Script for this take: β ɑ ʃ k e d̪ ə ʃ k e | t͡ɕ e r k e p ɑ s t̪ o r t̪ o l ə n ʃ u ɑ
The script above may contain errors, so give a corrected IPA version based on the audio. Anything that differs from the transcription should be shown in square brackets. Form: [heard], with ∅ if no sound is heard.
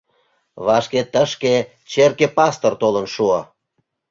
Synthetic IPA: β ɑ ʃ k e [t̪] ə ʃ k e | t͡ɕ e r k e p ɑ s t̪ o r t̪ o l ə n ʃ u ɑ

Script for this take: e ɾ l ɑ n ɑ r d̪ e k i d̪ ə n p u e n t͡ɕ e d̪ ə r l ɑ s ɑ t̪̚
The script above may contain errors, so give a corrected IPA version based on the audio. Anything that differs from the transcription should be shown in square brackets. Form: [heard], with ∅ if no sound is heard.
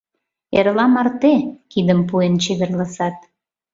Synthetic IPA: e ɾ l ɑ [m] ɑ r [t̪] e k i d̪ ə [m] p u e n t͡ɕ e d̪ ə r l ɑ s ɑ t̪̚

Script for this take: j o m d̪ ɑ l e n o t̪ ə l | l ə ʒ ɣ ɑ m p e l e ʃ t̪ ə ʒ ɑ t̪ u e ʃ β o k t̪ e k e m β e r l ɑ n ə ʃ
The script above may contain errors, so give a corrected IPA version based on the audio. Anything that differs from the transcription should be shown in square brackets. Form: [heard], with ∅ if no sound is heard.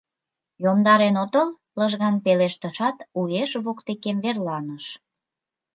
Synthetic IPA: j o m d̪ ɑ [ɾ] e n o t̪ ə l | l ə ʒ ɣ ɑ [n] p e l e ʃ t̪ ə [ʃ] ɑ t̪ u e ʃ β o k t̪ e k e m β e r l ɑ n ə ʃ

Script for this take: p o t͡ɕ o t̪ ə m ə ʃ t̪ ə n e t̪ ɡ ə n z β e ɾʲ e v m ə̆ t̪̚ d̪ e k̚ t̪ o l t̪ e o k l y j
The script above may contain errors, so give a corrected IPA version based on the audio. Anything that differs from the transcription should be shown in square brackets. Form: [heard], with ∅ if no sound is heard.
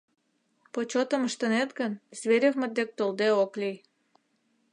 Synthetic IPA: p o t͡ɕ o t̪ ə m ə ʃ t̪ ə n e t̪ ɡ ə n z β e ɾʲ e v m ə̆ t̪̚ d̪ e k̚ t̪ o l [d̪] e o k l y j

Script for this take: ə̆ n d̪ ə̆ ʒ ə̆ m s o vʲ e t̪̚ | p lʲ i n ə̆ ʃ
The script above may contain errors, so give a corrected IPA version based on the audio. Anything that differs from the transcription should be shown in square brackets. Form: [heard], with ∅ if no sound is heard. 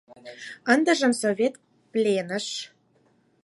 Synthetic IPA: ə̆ n d̪ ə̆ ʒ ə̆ m s o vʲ e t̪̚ | p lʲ [e] n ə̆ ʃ

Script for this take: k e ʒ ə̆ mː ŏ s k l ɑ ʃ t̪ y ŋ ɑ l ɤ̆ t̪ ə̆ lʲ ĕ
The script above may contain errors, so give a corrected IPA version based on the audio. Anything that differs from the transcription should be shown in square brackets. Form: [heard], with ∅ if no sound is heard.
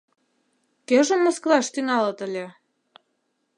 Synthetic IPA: k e ʒ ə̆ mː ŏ s k l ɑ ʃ t̪ y ŋ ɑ l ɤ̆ t̪ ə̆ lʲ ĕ

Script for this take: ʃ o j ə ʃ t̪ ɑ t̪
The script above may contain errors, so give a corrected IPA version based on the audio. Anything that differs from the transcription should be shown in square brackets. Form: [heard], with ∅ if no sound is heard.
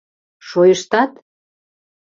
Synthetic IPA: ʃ o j ə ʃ t̪ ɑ t̪

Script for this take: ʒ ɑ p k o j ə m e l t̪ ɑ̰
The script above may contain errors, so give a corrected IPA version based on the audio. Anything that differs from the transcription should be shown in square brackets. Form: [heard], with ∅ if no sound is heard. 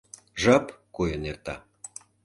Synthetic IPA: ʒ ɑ p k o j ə [n] e [r] t̪ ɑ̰

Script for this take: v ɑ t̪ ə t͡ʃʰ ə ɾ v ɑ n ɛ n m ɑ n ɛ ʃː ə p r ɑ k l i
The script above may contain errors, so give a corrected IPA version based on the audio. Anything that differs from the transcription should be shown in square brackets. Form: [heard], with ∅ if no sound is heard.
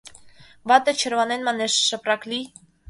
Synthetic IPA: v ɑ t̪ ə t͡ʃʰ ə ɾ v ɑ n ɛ n m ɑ n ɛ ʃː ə p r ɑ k l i

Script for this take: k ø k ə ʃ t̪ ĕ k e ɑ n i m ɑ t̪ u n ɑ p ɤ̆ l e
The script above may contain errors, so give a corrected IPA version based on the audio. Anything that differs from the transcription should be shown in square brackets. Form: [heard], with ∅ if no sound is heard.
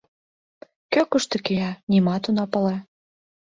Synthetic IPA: k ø k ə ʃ t̪ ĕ k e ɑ n i m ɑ t̪ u n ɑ p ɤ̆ l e

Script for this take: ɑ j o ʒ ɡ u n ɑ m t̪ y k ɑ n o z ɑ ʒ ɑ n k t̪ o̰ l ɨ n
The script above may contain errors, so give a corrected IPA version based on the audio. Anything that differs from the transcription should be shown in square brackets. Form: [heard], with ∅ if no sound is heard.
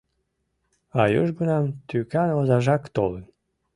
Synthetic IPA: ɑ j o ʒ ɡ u n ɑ m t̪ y k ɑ n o z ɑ ʒ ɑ [∅] k t̪ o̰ l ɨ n

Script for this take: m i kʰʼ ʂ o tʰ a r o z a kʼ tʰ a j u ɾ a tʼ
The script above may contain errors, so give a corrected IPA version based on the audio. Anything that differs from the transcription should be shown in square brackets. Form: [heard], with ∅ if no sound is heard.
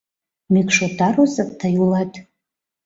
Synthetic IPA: m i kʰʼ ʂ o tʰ a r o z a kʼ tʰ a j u [l] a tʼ

